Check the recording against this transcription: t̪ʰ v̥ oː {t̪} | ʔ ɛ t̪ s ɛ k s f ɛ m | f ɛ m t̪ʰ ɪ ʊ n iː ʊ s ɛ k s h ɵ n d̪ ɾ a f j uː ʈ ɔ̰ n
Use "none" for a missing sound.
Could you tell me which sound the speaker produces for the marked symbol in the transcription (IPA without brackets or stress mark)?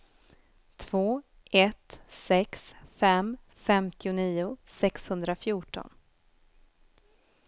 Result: none